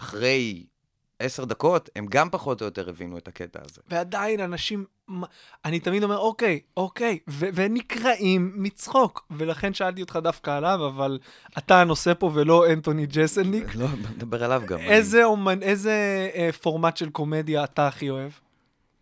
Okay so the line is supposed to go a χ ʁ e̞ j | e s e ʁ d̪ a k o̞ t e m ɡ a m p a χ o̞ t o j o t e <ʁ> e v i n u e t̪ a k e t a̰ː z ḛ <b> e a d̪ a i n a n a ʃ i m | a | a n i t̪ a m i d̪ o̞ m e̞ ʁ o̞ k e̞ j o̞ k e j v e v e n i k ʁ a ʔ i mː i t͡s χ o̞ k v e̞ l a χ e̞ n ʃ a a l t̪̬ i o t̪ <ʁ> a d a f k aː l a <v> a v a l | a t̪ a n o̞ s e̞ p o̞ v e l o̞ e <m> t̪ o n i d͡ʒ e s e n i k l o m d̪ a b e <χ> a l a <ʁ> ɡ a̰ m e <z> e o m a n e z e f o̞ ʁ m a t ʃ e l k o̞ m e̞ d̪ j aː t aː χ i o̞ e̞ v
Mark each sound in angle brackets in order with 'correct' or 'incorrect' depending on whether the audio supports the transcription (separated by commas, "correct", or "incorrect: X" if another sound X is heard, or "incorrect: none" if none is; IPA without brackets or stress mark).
correct, incorrect: v, incorrect: χ, correct, incorrect: n, incorrect: ʁ, incorrect: v, correct